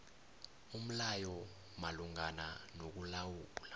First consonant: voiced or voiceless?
voiced